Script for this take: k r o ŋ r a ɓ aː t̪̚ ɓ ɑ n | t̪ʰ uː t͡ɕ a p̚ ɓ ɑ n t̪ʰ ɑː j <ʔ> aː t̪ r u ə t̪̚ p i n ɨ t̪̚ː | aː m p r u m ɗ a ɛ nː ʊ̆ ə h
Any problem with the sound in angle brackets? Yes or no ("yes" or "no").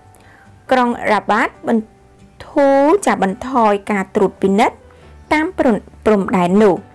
yes